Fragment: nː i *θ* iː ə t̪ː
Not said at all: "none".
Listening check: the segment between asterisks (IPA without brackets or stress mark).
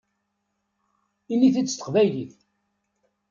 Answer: θ